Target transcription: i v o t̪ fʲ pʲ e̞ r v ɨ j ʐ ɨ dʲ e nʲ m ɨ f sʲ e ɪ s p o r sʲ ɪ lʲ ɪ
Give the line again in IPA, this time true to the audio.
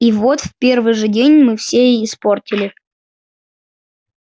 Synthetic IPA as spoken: i v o t̪ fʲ pʲ e̞ r v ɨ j ʐ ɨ dʲ e nʲ m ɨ f sʲ e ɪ s p o r tʲ ɪ lʲ ɪ